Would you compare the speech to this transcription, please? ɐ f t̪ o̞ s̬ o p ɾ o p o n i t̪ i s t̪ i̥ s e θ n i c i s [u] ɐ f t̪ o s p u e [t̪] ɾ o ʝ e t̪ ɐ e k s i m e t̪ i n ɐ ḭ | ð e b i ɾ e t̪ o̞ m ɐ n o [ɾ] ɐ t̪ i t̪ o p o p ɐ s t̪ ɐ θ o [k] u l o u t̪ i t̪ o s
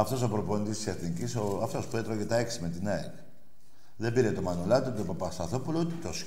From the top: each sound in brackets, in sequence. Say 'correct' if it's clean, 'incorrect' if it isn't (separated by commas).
incorrect, correct, incorrect, incorrect